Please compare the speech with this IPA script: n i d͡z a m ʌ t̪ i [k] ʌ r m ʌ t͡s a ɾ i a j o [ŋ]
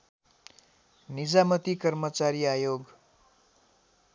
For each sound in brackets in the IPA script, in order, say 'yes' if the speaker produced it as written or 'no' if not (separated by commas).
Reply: yes, no